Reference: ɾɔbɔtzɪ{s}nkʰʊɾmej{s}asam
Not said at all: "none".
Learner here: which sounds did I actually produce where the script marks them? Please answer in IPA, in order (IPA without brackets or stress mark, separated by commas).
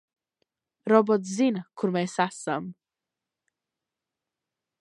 none, s